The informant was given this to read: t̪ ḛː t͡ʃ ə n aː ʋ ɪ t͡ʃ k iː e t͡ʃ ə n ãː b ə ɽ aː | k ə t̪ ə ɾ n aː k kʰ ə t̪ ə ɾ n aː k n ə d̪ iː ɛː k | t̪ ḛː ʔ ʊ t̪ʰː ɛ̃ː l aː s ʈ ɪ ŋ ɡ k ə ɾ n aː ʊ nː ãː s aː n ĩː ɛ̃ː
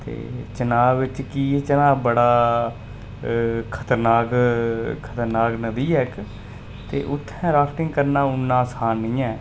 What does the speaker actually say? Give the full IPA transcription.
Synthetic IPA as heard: t̪ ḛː t͡ʃ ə n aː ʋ ɪ t͡ʃ k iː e t͡ʃ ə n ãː b ə ɽ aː | kʰ ə t̪ ə ɾ n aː k kʰ ə t̪ ə ɾ n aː k n ə d̪ iː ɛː k | t̪ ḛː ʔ ʊ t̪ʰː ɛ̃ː ɾ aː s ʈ ɪ ŋ ɡ k ə ɾ n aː ʊ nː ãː s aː n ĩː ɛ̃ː